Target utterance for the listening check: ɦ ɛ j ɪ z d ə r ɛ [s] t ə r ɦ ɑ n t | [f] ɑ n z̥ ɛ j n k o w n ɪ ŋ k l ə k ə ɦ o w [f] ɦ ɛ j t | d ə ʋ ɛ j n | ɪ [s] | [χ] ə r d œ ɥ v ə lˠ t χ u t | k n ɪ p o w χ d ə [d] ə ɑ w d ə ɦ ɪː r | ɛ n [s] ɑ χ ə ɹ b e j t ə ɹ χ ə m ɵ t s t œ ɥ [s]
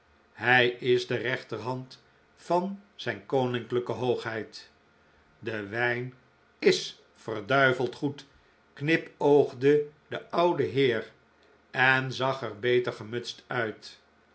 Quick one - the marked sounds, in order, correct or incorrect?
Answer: incorrect: χ, correct, incorrect: χ, correct, incorrect: f, correct, incorrect: z, incorrect: t

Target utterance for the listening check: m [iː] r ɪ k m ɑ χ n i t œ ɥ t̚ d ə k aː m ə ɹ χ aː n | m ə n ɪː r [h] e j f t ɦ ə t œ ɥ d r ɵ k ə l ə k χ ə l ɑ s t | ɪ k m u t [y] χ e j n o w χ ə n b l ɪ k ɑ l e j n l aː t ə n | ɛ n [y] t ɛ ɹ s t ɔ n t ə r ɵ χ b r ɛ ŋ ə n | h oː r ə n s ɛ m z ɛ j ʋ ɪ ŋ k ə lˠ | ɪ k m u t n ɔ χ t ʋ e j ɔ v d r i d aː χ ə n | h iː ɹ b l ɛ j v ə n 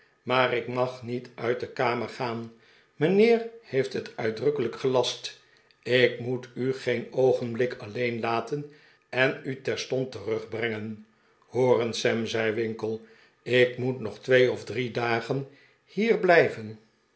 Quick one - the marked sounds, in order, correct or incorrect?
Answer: incorrect: aː, correct, correct, correct

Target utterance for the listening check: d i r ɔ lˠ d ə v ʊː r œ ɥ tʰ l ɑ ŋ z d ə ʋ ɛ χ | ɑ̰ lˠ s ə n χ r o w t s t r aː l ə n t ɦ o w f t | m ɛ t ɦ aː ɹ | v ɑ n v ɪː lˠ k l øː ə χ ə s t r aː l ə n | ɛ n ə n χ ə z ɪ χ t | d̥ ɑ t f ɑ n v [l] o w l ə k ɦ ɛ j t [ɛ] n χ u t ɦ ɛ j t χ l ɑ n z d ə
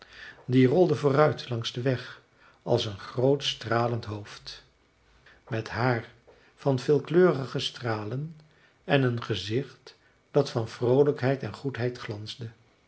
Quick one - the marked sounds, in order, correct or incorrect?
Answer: incorrect: r, correct

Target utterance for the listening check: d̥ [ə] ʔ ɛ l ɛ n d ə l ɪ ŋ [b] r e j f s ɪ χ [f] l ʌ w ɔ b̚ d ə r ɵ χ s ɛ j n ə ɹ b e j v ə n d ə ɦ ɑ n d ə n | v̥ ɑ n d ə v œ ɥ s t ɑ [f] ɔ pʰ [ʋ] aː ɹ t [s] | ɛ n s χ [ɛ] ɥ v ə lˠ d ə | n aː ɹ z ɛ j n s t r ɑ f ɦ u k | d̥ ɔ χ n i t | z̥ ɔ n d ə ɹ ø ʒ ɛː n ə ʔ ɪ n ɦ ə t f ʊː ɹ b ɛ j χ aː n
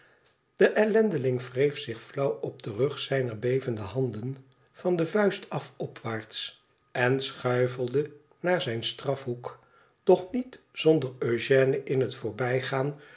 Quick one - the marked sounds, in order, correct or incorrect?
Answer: correct, incorrect: v, correct, correct, correct, correct, incorrect: œ

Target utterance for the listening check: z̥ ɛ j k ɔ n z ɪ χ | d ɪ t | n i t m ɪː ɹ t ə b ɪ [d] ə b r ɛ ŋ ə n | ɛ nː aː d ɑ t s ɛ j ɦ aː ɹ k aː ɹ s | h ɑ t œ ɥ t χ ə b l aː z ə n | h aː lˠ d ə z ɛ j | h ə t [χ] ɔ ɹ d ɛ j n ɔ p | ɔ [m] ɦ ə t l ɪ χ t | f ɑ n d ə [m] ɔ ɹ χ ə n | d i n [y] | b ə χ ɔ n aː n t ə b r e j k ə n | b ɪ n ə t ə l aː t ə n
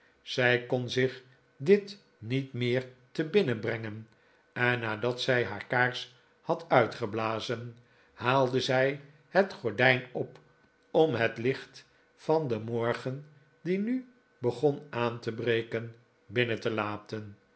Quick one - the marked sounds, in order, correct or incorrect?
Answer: incorrect: n, correct, correct, correct, correct

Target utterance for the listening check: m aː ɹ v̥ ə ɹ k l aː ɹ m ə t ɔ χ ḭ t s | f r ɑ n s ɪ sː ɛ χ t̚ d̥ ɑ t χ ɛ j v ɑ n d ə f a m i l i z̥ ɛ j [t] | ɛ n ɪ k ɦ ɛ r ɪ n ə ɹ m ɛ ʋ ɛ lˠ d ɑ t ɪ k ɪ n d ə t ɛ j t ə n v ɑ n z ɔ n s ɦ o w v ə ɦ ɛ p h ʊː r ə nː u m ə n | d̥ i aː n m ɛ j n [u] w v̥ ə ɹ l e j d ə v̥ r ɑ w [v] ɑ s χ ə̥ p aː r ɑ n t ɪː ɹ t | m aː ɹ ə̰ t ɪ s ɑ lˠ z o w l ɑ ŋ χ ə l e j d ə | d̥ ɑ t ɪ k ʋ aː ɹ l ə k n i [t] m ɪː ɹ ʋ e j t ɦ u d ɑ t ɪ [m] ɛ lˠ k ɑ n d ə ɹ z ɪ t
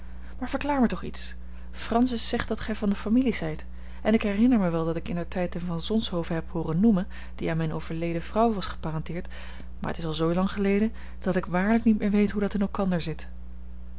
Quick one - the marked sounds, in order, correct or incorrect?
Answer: correct, incorrect: o, incorrect: ʋ, correct, incorrect: n

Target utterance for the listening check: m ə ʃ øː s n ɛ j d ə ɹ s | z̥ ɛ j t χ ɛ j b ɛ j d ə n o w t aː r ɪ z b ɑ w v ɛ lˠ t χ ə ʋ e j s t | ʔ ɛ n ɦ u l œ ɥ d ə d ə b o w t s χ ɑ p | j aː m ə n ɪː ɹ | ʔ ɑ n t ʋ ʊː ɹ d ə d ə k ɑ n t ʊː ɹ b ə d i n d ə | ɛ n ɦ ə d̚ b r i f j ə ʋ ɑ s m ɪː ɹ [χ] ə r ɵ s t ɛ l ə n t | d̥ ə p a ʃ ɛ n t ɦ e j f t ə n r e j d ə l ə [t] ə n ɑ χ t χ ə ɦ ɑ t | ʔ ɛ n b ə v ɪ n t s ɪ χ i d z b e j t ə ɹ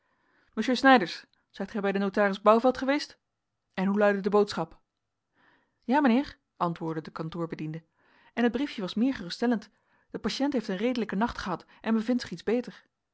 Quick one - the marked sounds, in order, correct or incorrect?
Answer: correct, incorrect: k

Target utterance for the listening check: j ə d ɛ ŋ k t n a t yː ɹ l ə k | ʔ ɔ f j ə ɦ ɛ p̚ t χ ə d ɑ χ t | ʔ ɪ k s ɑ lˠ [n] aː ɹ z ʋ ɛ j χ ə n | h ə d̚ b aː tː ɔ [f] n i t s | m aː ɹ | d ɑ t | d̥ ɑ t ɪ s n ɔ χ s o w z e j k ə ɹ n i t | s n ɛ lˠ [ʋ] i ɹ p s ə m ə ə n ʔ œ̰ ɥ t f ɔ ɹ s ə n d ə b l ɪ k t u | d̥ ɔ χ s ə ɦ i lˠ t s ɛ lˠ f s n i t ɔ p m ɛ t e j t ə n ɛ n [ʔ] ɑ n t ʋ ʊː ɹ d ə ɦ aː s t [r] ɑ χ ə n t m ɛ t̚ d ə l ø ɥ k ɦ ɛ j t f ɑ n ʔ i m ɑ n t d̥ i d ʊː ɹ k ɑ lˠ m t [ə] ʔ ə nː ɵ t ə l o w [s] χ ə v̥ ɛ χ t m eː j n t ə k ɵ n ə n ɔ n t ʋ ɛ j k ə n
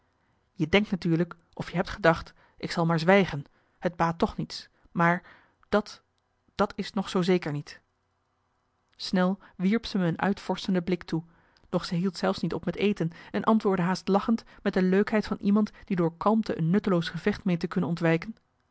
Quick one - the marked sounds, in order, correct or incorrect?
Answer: incorrect: m, incorrect: χ, correct, correct, incorrect: l, correct, correct

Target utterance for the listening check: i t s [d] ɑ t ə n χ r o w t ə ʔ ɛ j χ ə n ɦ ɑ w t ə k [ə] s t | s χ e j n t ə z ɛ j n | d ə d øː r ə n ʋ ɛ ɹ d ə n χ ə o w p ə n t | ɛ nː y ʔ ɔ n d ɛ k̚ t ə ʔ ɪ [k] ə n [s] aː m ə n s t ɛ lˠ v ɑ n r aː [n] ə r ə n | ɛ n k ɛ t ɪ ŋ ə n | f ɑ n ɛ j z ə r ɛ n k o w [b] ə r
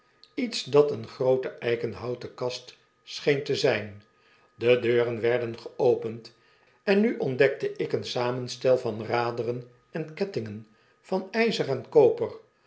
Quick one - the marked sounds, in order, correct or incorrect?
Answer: correct, incorrect: ɑ, correct, correct, incorrect: d, incorrect: p

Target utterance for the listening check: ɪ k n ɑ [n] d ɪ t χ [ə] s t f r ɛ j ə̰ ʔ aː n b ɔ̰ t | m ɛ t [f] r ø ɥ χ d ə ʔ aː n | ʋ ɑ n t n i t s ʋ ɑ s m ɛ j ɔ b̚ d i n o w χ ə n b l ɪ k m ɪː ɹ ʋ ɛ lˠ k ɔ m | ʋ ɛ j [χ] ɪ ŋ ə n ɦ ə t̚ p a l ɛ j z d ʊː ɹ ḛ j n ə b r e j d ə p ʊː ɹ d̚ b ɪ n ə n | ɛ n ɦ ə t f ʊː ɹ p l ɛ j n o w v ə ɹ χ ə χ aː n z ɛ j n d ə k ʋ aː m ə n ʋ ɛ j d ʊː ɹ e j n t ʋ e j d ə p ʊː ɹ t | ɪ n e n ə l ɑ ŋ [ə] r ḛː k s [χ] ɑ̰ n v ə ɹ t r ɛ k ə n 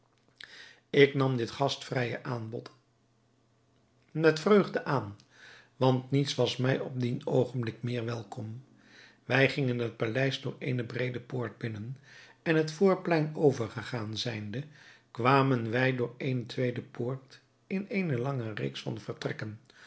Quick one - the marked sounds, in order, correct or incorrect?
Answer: incorrect: m, incorrect: ɑ, correct, correct, correct, incorrect: f

